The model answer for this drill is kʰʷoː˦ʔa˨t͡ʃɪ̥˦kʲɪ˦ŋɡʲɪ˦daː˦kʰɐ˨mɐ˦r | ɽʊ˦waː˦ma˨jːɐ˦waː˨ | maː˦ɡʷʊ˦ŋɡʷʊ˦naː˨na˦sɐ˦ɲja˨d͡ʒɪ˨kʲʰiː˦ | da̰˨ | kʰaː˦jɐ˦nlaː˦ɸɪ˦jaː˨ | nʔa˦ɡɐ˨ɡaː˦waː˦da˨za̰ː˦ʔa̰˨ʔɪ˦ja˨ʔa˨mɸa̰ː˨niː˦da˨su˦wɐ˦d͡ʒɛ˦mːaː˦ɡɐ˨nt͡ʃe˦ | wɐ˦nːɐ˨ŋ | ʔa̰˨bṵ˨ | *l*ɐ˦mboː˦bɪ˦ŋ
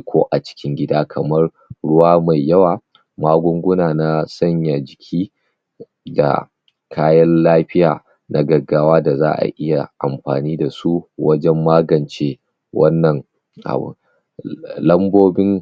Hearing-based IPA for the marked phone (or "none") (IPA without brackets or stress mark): l